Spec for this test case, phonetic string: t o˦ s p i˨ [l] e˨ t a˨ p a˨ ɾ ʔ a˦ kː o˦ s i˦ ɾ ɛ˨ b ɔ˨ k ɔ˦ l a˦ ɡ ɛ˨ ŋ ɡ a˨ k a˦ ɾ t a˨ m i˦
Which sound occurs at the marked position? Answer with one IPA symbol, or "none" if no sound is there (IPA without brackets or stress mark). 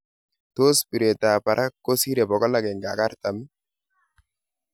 ɾ